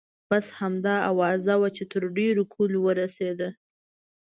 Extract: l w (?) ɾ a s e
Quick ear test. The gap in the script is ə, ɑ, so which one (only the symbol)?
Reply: ə